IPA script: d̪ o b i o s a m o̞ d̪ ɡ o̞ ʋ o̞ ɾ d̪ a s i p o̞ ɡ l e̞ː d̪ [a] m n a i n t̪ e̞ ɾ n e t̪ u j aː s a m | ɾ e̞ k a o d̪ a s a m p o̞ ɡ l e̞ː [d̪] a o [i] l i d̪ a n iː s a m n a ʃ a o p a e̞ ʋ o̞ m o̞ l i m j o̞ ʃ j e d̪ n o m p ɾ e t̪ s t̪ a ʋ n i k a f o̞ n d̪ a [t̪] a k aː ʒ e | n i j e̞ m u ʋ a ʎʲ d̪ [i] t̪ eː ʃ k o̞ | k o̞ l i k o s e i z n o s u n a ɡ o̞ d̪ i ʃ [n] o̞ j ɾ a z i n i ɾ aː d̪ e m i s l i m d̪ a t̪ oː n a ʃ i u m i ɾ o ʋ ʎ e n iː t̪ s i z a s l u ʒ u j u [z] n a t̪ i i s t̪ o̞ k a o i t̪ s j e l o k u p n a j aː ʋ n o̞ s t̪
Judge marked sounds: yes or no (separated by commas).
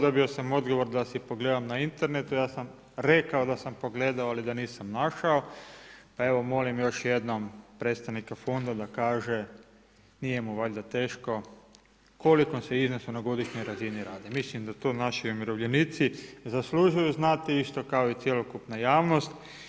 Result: yes, yes, no, no, no, no, yes